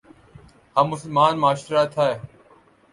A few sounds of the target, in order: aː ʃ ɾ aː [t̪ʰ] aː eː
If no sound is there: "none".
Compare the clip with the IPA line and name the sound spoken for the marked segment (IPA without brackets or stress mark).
t̪ʰ